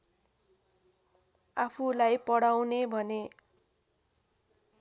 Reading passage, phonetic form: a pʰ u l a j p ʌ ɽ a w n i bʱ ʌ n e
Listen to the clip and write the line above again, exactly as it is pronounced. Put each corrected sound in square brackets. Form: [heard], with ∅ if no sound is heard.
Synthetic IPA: a pʰ u l a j p ʌ ɽ a w n [e] bʱ ʌ n e